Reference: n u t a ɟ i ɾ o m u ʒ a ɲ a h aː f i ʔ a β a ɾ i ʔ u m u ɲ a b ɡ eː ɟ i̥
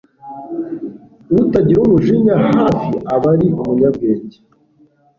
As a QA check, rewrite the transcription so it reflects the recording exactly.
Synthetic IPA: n u t a ɟ i ɾ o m u ʒ i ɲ a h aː f i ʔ a β a ɾ i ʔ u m u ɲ a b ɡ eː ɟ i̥